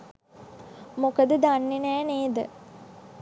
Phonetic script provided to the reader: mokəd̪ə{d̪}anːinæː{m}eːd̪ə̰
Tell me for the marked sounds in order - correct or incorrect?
correct, incorrect: n

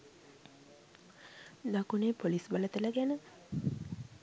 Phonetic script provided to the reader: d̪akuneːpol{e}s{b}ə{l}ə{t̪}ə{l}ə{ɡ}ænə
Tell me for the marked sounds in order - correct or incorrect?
incorrect: i, correct, correct, correct, correct, correct

